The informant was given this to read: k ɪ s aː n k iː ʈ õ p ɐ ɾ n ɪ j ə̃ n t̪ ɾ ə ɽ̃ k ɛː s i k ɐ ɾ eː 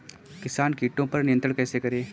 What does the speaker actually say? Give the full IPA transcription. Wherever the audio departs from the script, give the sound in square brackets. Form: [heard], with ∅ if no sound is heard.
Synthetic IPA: k ɪ s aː n k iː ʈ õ p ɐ ɾ n ɪ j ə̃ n t̪ ɾ ə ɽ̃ k ɛː s [e] k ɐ ɾ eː

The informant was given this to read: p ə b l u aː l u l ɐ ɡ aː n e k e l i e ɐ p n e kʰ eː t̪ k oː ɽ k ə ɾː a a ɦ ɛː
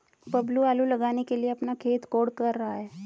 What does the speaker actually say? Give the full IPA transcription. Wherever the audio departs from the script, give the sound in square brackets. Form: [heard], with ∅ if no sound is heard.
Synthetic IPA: p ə b l u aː l u l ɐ ɡ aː n e k e l i e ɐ p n [a] kʰ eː t̪ k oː ɽ k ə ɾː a a ɦ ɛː

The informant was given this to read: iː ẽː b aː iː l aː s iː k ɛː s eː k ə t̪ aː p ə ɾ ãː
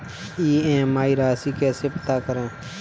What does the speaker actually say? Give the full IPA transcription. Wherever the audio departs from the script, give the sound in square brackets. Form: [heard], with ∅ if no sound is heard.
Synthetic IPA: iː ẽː [m] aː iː [ɾ] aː s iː k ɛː s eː [p] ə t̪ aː [k] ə ɾ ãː

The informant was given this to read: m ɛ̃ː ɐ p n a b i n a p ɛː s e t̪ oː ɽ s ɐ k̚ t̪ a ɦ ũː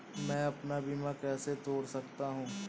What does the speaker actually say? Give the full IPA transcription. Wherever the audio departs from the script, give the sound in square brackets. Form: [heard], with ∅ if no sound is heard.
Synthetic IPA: m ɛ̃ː ɐ p n a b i [m] a [k] ɛː s e t̪ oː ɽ s ɐ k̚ t̪ a ɦ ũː

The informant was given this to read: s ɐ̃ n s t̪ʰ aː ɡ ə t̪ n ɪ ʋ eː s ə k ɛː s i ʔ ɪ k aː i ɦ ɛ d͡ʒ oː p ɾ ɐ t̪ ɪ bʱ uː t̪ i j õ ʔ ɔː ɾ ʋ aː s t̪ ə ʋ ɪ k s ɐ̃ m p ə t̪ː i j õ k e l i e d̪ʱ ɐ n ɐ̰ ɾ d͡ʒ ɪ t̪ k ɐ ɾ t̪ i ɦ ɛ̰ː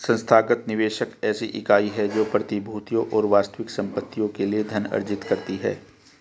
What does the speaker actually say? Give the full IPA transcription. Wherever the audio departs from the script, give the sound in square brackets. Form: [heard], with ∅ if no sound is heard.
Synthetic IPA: s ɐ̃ n s t̪ʰ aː ɡ ə t̪ n ɪ ʋ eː [ʃ] ə k ɛː s i ʔ ɪ k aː i ɦ ɛ d͡ʒ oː p ɾ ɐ t̪ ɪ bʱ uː t̪ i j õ ʔ ɔː ɾ ʋ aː s t̪ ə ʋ ɪ k s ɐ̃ m p ə t̪ː i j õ k e l i e d̪ʱ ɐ n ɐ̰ ɾ d͡ʒ ɪ t̪ k ɐ ɾ t̪ i ɦ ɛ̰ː

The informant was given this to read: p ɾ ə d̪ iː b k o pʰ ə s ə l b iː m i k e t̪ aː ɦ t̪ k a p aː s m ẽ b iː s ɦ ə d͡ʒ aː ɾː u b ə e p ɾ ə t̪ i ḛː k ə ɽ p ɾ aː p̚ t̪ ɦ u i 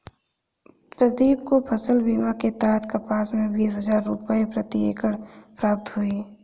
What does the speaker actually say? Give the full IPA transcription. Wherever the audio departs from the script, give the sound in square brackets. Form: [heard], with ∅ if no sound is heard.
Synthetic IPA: p ɾ ə d̪ iː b k o pʰ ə s ə l b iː m [a] k e t̪ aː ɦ t̪ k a p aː s m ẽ b iː s ɦ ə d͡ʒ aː ɾː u [p] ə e p ɾ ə t̪ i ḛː k ə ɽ p ɾ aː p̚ t̪ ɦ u i

